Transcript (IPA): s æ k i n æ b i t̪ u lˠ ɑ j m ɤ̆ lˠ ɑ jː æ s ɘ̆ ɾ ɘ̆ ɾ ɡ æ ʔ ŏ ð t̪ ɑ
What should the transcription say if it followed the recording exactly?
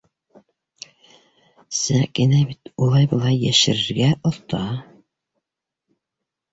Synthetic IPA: s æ k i n æ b i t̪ u lˠ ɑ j b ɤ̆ lˠ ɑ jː æ ʃ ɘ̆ ɾ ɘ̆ ɾ ɡ æ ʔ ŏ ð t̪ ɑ